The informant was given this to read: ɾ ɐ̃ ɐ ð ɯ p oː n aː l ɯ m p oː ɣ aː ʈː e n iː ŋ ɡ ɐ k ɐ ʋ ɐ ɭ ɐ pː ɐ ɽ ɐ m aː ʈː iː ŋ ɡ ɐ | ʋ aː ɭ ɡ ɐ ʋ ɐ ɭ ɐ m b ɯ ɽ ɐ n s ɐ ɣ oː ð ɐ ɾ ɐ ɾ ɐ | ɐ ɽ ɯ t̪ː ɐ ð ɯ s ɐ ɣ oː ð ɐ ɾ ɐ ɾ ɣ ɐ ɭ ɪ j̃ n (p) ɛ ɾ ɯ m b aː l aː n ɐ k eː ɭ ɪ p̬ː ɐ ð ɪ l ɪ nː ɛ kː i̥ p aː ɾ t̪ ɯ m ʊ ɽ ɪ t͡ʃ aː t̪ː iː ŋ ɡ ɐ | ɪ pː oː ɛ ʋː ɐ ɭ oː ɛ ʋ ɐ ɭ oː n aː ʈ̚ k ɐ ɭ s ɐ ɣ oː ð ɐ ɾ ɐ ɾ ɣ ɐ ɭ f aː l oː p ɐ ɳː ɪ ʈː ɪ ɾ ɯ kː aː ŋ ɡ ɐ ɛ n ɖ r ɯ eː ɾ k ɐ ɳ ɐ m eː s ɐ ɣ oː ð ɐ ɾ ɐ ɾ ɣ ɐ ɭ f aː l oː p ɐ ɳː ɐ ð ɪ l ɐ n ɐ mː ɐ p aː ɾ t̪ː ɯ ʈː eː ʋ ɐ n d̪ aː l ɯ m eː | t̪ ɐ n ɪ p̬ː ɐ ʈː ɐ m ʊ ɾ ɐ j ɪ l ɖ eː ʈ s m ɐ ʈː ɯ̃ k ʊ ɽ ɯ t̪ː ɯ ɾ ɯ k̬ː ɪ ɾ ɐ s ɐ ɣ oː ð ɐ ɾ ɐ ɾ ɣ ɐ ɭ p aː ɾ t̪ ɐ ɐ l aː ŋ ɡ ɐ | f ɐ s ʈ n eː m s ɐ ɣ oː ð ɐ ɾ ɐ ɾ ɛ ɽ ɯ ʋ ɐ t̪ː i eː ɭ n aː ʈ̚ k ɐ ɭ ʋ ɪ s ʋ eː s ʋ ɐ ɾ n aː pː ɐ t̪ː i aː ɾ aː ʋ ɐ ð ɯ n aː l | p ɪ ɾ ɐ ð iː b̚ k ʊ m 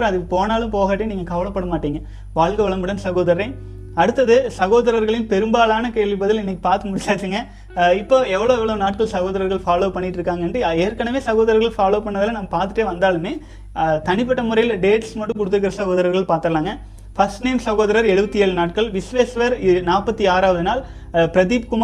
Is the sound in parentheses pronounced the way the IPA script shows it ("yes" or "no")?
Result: yes